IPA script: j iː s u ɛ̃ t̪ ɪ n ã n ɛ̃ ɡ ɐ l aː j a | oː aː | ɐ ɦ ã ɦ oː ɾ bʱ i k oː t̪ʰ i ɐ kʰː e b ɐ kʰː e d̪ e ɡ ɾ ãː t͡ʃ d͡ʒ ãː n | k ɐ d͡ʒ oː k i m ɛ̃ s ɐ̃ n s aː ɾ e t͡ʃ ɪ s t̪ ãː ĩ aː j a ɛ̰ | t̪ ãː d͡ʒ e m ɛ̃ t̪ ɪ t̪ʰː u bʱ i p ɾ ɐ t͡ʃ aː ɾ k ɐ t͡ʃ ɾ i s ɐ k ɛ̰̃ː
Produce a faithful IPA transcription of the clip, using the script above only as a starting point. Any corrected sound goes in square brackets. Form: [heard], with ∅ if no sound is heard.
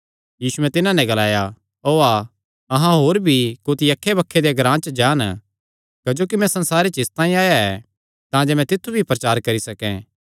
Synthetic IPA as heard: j iː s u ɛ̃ t̪ ɪ n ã n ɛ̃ ɡ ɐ l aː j a | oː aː | ɐ ɦ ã ɦ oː ɾ bʱ i k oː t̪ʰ i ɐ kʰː e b ɐ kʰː e d̪ e ɡ ɾ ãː t͡ʃ d͡ʒ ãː n | k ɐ d͡ʒ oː k i m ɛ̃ s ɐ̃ n s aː ɾ e t͡ʃ ɪ s t̪ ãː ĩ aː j a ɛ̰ | t̪ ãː d͡ʒ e m ɛ̃ t̪ ɪ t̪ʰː u bʱ i p ɾ ɐ t͡ʃ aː ɾ k ɐ [∅] ɾ i s ɐ k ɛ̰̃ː